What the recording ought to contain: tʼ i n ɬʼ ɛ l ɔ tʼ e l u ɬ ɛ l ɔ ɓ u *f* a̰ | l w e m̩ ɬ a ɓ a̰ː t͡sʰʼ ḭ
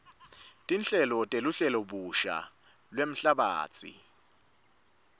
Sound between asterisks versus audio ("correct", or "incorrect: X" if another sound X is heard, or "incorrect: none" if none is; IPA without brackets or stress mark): incorrect: ʃ